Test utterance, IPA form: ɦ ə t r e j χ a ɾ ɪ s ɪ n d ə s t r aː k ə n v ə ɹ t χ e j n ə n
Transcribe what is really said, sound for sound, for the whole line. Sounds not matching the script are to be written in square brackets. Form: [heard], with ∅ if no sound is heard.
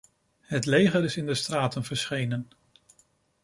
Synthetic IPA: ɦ ə t [l] e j χ [ə] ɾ ɪ s ɪ n d ə s t r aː [t] ə n v ə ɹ [s] χ e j n ə n